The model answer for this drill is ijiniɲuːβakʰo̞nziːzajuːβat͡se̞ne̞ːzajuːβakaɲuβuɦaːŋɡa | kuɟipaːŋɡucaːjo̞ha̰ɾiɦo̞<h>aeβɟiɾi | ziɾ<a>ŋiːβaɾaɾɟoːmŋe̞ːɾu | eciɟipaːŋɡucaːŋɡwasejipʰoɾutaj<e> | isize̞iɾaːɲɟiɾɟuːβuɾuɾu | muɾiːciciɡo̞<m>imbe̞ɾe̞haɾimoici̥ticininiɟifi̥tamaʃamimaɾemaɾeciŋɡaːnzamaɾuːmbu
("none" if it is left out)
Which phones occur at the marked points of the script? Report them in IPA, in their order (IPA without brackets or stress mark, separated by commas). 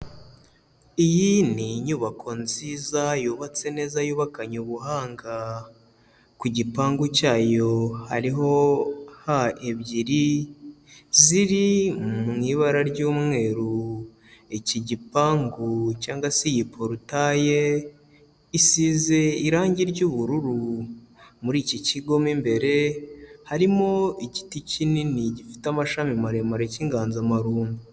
h, i, e, m